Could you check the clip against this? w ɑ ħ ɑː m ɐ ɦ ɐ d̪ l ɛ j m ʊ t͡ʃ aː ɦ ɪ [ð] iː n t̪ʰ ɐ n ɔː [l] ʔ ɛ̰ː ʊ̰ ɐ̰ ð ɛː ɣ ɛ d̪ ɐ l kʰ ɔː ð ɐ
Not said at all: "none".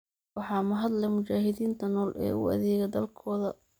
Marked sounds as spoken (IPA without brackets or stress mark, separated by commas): ð, l